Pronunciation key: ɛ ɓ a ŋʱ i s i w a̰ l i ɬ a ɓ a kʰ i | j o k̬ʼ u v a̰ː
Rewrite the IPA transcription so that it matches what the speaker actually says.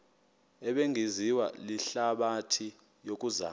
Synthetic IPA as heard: ɛ ɓ e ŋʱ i z i w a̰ l i ɬ a ɓ a tʰ i | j o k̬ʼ u z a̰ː